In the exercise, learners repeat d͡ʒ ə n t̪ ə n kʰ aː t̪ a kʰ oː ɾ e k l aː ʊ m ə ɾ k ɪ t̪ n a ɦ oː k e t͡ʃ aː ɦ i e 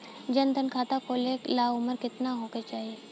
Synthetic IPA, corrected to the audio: d͡ʒ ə n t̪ ə n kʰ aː t̪ a k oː l e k l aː ʊ m ə ɾ k ɪ t̪ n a ɦ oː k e t͡ʃ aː ɦ i e